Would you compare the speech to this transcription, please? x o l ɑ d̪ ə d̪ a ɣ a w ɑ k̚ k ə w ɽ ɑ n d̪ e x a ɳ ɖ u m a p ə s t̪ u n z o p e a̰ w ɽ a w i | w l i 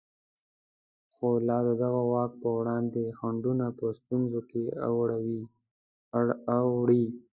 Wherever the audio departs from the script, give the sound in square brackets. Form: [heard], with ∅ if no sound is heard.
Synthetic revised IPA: x o l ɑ d̪ ə d̪ a ɣ a w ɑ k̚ [p] ə w ɽ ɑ n d̪ e x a ɳ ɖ u [n] a p ə s t̪ u n z o [k] e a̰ w ɽ a w i | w [ɽ] i